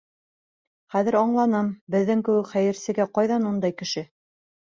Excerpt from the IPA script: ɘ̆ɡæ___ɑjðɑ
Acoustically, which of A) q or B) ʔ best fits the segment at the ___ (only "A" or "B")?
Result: A